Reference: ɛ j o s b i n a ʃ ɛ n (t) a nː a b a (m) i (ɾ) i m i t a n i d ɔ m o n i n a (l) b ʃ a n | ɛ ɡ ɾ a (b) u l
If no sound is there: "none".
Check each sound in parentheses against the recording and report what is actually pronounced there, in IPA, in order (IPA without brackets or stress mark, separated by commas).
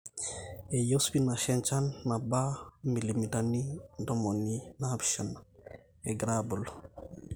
t͡ʃ, m, l, none, b